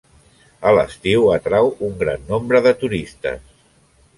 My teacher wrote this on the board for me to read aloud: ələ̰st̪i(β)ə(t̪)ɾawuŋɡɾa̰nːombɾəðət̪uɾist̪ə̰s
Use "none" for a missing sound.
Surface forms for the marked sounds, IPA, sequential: w, t̪

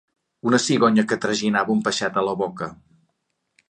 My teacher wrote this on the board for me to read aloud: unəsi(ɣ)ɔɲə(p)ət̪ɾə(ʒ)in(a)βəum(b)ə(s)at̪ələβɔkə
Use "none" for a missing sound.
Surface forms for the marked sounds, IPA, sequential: ɣ, k, ʒ, a, p, ʃ

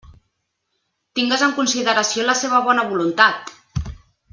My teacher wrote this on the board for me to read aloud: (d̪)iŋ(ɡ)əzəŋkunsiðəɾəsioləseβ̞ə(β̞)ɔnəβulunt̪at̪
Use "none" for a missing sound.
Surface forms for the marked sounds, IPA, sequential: t̪, ɡ, β̞

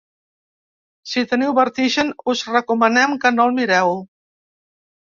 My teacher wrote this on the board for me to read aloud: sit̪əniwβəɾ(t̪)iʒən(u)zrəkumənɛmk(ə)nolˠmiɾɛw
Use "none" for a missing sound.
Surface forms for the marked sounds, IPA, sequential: t̪, u, ə

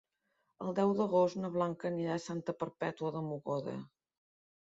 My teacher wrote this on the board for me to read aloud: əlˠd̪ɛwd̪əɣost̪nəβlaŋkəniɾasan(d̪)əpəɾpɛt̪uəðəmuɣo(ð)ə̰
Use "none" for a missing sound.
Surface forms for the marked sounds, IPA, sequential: t̪, ð

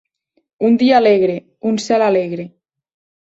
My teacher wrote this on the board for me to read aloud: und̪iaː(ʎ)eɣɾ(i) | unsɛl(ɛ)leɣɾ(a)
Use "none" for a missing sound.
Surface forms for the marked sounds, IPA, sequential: l, e, a, e

